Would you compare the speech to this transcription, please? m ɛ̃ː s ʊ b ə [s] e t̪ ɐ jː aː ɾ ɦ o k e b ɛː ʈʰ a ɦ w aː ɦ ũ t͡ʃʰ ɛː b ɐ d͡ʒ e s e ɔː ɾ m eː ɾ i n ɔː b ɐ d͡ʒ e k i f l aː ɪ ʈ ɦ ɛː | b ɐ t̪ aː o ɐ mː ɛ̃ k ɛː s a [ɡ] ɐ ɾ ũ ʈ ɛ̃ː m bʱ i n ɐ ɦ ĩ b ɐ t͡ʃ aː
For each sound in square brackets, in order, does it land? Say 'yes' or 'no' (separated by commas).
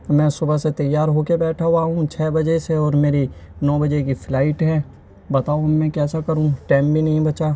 yes, no